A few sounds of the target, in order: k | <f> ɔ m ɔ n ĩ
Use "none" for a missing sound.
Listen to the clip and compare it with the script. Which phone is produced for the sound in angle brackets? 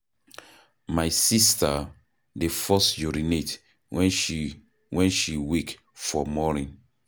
f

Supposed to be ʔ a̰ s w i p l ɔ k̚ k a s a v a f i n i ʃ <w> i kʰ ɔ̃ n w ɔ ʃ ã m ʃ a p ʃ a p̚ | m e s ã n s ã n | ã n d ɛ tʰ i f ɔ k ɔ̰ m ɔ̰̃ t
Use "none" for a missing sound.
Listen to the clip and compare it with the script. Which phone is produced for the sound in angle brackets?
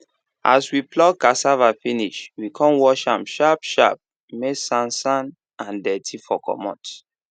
w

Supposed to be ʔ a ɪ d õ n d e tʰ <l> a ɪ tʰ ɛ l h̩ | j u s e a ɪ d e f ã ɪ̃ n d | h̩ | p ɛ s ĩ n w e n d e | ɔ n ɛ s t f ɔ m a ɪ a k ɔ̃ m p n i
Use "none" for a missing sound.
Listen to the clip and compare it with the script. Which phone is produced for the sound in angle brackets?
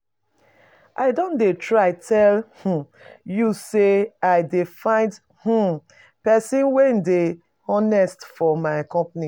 ɹ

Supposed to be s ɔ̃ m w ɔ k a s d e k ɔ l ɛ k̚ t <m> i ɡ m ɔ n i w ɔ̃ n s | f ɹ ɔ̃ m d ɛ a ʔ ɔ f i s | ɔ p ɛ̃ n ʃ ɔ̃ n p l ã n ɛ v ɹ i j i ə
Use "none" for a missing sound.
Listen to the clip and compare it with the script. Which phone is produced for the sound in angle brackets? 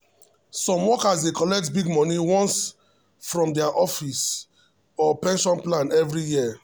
b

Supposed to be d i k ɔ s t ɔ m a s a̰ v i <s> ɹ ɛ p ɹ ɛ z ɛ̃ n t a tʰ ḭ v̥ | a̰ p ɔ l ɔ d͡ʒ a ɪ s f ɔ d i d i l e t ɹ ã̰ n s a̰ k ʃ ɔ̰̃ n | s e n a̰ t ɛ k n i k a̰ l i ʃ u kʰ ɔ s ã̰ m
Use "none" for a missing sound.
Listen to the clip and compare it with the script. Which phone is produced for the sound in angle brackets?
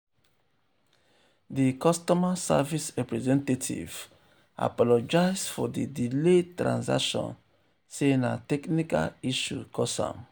s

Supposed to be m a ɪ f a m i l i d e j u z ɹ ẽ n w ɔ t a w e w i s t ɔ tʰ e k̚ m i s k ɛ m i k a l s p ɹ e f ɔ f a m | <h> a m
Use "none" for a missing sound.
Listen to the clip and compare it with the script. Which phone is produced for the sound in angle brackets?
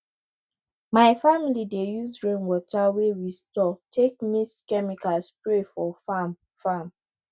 f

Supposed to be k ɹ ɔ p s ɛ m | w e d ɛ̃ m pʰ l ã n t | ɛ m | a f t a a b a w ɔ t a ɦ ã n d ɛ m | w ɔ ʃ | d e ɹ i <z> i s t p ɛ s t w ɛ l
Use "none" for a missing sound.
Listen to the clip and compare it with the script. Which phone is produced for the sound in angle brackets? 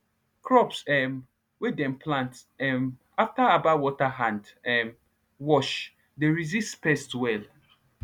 z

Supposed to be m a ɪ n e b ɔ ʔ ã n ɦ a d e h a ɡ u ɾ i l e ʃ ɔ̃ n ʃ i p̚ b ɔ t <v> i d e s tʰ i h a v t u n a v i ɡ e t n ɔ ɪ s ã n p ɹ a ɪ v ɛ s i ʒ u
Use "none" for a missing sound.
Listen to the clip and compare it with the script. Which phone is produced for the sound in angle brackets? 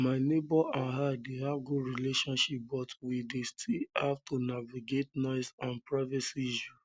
w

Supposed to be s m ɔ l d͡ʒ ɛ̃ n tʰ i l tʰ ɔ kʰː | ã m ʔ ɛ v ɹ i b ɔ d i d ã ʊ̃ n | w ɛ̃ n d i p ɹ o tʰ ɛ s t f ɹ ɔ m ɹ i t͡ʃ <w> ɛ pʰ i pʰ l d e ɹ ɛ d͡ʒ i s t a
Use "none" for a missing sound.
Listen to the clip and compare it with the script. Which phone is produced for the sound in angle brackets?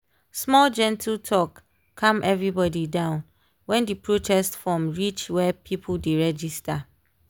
w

